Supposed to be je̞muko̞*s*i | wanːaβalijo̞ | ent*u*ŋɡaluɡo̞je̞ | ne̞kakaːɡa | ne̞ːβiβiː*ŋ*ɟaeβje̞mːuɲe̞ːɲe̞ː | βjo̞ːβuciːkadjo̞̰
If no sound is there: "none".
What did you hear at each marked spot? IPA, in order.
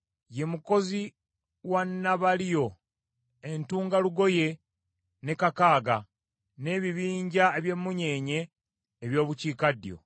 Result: z, uː, ɲ

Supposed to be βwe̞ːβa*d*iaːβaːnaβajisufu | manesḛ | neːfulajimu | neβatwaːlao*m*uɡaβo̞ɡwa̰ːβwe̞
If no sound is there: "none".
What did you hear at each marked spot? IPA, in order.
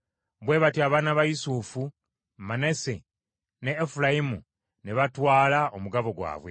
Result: t, m

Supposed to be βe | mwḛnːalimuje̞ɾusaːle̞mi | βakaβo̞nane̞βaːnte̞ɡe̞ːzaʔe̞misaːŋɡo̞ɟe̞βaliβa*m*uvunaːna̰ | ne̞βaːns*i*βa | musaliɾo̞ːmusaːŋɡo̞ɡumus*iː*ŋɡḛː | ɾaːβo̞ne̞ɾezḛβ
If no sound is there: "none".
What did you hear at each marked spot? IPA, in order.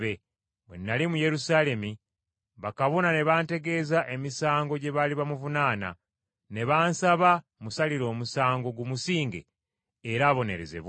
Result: m, a, iː

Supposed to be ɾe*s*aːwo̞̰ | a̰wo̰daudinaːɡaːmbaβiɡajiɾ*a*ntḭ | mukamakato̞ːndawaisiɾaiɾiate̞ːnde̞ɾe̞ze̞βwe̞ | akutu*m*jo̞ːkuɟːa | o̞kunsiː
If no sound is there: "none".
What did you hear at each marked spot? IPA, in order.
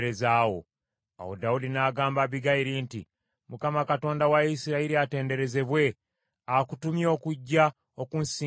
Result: z, i, m

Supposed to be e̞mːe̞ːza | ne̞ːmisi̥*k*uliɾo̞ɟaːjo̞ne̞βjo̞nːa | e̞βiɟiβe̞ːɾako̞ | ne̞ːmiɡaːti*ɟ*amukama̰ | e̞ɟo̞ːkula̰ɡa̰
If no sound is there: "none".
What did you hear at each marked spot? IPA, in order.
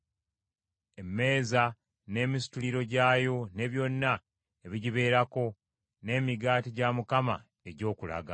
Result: t, ɟ

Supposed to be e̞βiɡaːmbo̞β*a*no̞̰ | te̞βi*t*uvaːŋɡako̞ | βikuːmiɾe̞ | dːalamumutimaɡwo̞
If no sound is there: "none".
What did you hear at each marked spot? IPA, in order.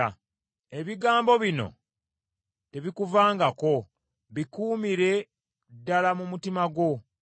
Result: i, k

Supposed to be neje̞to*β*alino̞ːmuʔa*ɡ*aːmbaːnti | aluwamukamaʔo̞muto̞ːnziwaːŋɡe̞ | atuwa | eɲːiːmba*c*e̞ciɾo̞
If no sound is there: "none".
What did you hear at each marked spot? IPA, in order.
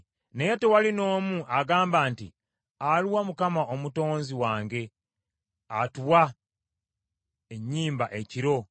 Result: w, ɡ, ʔ

